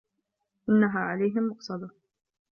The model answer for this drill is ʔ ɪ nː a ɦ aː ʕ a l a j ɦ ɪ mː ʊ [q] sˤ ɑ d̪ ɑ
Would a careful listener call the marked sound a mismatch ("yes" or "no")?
no